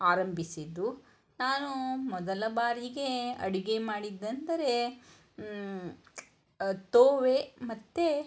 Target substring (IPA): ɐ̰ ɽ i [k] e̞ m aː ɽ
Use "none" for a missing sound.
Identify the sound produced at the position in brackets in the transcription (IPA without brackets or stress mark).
ɡ